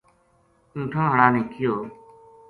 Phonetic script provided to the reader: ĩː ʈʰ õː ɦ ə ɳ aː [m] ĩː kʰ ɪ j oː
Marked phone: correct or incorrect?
incorrect: n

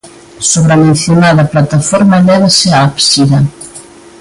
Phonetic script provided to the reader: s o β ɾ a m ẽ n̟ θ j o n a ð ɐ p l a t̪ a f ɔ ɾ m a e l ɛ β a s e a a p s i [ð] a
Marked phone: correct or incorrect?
correct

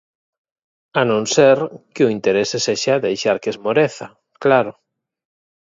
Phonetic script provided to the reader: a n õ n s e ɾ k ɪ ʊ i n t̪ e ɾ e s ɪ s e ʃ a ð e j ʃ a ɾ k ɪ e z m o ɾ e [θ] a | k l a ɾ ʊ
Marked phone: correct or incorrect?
correct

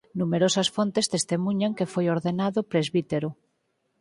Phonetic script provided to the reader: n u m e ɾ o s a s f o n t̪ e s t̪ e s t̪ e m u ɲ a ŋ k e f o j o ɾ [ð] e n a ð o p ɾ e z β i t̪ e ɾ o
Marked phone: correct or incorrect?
correct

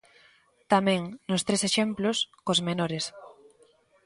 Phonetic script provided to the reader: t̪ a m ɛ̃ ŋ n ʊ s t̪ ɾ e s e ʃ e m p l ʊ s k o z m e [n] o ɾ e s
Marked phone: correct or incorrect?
correct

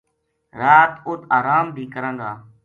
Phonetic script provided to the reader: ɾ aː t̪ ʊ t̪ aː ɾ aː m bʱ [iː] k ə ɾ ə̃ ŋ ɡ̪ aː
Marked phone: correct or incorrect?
correct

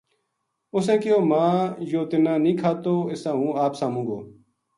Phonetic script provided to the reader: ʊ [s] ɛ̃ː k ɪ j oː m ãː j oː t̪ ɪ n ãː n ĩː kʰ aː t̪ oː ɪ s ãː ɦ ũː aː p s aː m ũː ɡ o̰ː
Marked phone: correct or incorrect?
correct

